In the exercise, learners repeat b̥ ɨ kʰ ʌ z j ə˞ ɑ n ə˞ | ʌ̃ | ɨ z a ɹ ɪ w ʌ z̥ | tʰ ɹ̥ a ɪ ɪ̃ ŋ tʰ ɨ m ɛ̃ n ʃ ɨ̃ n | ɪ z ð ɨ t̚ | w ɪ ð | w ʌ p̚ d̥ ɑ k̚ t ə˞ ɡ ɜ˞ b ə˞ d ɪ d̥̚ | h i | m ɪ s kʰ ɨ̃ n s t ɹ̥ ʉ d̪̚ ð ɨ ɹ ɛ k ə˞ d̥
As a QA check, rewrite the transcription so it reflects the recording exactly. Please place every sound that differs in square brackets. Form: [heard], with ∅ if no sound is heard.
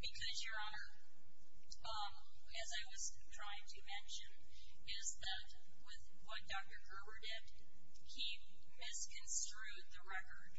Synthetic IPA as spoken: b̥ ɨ kʰ ʌ z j ə˞ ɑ n ə˞ | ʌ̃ | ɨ z a [∅] ɪ w ʌ z̥ | tʰ ɹ̥ a ɪ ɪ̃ ŋ tʰ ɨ m ɛ̃ n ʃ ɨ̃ n | ɪ z ð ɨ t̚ | w ɪ ð | w ʌ [t̚] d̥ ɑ k̚ t ə˞ ɡ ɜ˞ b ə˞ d ɪ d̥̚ | h i | m ɪ s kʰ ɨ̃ n s t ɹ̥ ʉ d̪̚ ð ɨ ɹ ɛ k ə˞ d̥